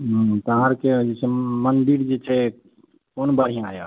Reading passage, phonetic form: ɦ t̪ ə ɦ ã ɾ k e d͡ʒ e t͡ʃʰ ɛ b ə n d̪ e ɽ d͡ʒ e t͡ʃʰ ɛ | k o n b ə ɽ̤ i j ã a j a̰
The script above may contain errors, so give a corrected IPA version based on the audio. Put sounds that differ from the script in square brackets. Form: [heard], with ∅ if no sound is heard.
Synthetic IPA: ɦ t̪ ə ɦ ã ɾ k e d͡ʒ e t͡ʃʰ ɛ [m] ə n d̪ [i] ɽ d͡ʒ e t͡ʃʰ ɛ | k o n b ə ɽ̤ i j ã a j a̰